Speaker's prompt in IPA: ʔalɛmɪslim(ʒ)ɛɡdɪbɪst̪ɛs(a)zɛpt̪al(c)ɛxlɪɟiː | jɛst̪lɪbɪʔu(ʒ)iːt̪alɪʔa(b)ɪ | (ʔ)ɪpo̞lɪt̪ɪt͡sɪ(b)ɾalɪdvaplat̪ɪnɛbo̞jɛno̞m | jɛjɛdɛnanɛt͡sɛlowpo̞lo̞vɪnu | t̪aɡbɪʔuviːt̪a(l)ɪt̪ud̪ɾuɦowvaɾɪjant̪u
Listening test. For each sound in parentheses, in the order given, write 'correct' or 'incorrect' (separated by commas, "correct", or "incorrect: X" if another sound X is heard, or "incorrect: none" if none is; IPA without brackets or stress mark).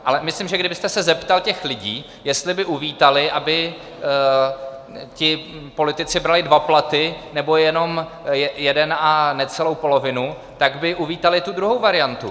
correct, incorrect: ɛ, correct, incorrect: v, correct, incorrect: c, correct, correct